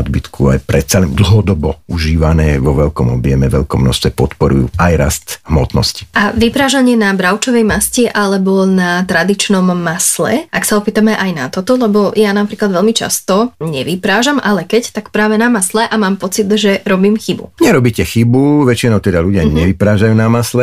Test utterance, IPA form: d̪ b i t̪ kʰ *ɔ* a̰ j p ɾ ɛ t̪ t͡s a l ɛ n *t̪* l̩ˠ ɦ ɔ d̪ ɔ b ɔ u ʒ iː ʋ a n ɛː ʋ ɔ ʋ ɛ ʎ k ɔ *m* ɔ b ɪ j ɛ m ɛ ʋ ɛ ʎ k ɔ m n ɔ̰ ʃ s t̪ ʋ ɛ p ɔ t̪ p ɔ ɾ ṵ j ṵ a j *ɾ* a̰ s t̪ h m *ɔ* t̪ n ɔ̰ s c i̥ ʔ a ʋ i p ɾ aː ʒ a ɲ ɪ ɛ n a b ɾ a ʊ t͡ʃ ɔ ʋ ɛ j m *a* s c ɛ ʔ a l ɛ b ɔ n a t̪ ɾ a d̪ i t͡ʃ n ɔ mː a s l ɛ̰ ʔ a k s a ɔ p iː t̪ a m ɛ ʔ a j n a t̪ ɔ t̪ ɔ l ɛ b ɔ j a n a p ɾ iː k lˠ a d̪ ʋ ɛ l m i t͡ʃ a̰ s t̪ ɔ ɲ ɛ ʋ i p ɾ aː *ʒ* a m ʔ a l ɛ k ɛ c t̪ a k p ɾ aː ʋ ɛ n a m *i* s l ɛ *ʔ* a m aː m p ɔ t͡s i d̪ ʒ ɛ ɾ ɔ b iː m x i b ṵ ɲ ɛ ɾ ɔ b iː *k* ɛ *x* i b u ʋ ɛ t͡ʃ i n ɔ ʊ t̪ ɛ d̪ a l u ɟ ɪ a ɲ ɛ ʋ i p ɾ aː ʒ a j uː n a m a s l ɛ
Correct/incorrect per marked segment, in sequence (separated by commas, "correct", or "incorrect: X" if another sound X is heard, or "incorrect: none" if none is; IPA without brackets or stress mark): incorrect: u, incorrect: d̪, correct, correct, correct, correct, correct, incorrect: a, correct, incorrect: c, correct